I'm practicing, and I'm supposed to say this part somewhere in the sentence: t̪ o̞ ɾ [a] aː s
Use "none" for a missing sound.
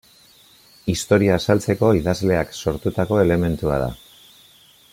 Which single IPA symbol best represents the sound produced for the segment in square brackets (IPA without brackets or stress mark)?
i